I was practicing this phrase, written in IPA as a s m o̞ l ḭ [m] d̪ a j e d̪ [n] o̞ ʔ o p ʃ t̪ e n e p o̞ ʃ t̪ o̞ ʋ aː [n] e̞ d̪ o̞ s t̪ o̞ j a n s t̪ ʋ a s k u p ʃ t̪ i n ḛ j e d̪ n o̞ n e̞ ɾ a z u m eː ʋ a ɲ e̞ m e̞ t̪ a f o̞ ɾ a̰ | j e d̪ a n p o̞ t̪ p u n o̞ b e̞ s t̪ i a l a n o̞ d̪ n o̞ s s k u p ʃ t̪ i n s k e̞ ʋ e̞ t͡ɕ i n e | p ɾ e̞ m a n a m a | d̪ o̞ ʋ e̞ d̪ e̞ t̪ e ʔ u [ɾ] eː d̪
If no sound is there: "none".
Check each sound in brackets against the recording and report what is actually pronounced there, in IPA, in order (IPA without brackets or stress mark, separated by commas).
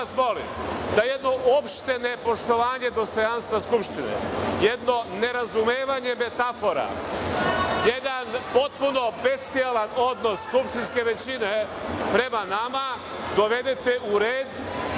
m, n, ɲ, ɾ